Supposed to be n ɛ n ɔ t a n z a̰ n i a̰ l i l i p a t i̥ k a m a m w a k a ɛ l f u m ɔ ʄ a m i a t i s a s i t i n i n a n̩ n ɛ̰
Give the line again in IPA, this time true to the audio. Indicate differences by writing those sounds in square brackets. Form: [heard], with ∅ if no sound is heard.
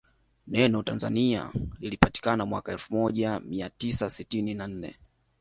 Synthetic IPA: n ɛ n ɔ t a n z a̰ n i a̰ l i l i p a t i̥ k a [n] a m w a k a ɛ l f u m ɔ ʄ a m i a t i s a s i t i n i n a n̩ n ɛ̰